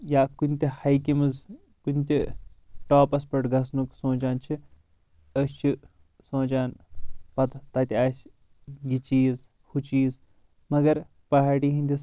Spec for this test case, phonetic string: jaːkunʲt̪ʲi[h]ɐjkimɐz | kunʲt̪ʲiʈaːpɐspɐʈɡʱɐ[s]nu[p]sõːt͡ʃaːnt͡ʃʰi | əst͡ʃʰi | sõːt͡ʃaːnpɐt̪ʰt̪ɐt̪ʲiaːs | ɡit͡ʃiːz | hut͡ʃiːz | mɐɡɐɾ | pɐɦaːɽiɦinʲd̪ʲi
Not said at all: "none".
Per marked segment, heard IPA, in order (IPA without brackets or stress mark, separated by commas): h, s, k